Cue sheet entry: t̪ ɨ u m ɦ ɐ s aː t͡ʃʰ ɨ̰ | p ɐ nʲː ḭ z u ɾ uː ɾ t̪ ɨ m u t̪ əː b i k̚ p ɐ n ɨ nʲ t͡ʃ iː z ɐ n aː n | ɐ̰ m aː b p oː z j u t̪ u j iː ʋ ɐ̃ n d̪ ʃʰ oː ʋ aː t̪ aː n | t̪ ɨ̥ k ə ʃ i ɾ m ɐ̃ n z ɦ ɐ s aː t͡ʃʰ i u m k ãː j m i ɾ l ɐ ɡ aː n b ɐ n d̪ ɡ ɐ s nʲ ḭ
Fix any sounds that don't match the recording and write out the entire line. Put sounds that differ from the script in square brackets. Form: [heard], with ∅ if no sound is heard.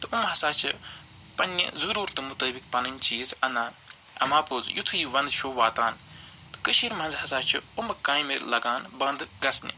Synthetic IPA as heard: t̪ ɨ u m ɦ ɐ s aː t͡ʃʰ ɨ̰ | p ɐ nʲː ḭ z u ɾ uː ɾ t̪ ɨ m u t̪ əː b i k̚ p ɐ n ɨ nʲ t͡ʃ iː z ɐ n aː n | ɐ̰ m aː [∅] p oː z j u [t̪ʰ] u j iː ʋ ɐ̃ n d̪ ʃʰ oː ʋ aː t̪ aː n | t̪ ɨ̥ k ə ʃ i ɾ m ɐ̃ n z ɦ ɐ s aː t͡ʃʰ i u m k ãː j m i ɾ l ɐ ɡ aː n b ɐ n d̪ ɡ ɐ s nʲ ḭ